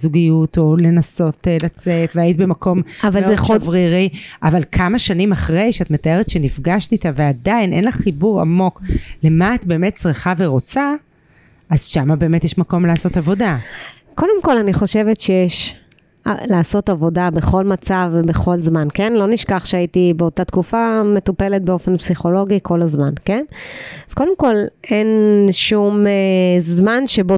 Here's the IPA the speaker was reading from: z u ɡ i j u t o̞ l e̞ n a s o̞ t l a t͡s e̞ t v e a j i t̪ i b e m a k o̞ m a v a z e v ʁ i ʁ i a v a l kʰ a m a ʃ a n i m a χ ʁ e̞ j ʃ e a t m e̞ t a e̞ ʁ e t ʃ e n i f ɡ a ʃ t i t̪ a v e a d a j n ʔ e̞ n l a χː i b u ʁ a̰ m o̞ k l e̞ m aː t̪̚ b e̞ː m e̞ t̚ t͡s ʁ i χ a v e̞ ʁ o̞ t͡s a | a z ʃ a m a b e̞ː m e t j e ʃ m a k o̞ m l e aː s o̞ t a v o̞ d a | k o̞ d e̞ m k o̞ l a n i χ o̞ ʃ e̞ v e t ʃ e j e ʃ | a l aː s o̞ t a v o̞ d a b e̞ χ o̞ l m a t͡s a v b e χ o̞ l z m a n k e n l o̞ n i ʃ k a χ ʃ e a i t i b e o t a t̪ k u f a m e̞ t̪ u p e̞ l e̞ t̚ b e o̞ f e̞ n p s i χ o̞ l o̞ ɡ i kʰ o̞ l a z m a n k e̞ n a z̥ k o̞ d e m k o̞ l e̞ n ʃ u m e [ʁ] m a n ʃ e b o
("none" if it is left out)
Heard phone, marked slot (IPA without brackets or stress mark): z